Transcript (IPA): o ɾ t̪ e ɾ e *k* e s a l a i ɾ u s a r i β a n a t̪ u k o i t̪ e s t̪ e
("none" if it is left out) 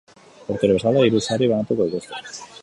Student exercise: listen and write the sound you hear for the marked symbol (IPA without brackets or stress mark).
none